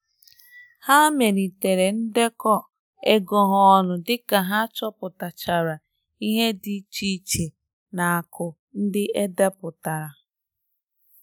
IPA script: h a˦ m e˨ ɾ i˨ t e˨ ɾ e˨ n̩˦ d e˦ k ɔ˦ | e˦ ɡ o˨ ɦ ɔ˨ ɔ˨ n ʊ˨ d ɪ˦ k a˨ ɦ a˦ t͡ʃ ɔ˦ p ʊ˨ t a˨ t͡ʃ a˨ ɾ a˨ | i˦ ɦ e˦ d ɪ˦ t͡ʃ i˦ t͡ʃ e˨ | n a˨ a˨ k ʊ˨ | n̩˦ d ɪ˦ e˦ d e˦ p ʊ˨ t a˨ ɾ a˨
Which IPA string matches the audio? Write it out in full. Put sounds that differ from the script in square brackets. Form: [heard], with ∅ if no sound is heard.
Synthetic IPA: h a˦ m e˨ ɾ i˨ t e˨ ɾ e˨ n̩˦ d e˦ k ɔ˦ | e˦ ɡ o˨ ɦ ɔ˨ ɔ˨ n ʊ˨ d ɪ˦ k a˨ ɦ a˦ t͡ʃ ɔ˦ p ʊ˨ t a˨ t͡ʃ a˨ ɾ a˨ | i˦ ɦ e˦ d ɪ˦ t͡ʃ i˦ t͡ʃ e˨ | n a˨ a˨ k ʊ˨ | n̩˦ d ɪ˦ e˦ d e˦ p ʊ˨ t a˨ ɾ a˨

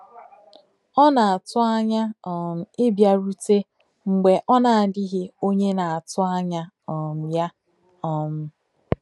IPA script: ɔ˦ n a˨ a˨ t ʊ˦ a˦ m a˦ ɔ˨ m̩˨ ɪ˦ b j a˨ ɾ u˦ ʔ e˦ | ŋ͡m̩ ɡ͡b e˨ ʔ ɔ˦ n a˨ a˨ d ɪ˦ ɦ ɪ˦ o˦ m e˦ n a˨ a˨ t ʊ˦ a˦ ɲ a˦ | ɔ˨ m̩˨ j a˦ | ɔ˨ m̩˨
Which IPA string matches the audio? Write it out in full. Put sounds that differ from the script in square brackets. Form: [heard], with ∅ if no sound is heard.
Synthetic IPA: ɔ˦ n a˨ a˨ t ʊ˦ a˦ [ɲ] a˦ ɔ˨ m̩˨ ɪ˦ b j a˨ ɾ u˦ [t] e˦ | ŋ͡m̩ ɡ͡b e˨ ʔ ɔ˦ n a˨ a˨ d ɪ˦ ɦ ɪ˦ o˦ [ɲ] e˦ n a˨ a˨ t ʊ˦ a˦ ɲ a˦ | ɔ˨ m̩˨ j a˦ | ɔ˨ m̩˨

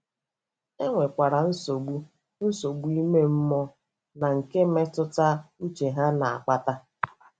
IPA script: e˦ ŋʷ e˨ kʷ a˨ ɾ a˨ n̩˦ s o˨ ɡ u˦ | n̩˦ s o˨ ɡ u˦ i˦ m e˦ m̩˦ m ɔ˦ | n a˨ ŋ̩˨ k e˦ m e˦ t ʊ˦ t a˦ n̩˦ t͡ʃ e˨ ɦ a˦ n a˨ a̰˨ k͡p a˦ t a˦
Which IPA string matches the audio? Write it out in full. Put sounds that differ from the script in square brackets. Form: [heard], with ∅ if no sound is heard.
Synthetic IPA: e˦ ŋʷ e˨ kʷ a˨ ɾ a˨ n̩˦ s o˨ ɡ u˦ | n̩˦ s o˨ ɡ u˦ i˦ m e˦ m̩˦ m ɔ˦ | n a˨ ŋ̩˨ k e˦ m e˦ t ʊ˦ t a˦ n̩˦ t͡ʃ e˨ ɦ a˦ n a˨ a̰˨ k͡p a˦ t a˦

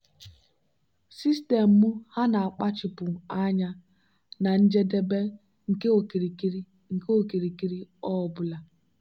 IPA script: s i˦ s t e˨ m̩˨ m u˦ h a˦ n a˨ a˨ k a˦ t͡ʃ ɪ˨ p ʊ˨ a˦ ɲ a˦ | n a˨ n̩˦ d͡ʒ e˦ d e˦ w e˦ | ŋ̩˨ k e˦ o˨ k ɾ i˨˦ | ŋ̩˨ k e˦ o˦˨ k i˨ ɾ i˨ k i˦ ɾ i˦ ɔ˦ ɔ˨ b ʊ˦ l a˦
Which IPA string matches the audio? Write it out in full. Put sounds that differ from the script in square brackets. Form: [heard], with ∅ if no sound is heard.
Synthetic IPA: s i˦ s t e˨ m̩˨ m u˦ h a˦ n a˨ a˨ [k͡p] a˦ t͡ʃ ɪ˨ p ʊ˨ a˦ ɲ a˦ | n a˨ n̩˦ d͡ʒ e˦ d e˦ [b] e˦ | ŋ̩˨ k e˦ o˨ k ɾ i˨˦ | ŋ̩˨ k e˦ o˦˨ k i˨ ɾ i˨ k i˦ ɾ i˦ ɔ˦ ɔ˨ b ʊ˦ l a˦

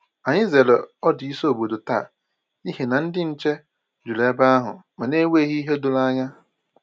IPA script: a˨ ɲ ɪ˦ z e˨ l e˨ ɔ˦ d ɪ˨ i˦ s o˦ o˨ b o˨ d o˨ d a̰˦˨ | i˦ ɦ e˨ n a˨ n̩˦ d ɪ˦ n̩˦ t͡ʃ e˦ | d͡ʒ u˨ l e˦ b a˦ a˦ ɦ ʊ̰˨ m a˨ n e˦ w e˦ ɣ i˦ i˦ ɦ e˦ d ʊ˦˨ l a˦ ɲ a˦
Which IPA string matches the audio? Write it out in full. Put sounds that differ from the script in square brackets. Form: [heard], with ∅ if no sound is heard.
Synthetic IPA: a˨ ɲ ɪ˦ z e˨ l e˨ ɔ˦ d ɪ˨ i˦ s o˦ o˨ b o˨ d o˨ [t] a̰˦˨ | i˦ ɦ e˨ n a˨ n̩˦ d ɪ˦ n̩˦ t͡ʃ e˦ | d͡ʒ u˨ l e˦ b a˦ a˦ ɦ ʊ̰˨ m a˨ n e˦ w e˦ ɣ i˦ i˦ ɦ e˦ d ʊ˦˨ l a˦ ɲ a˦

